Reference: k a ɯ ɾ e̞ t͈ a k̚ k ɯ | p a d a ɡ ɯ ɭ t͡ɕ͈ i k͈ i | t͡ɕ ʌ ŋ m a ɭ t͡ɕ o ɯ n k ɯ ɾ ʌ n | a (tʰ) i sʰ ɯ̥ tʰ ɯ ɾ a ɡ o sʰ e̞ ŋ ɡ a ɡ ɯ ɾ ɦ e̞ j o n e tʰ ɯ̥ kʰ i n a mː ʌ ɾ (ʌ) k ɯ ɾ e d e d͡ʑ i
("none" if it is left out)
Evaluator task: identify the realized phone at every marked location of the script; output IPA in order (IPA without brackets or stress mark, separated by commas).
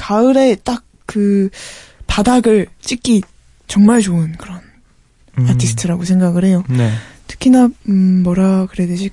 tʰ, a